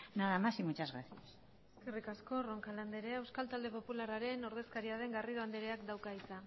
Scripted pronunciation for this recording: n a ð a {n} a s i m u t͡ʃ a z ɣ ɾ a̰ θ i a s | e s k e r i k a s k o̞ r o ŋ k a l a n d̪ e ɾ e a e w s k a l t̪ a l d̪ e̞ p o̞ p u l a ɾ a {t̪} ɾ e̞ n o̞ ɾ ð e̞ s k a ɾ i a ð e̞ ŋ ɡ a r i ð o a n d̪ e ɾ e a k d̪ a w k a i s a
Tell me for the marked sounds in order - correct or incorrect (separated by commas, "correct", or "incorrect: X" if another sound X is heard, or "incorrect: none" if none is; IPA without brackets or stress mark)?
incorrect: m, incorrect: none